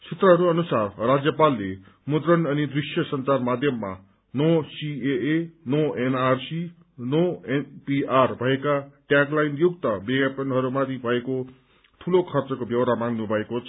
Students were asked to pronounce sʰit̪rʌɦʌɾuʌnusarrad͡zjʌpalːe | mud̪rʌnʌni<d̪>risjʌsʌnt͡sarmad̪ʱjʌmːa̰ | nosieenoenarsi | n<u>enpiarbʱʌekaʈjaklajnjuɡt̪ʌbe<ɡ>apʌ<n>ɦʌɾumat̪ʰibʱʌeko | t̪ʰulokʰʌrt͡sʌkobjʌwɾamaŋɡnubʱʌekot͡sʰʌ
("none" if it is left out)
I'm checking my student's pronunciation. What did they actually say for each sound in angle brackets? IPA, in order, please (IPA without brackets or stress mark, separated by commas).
d̪, o, ɡ, n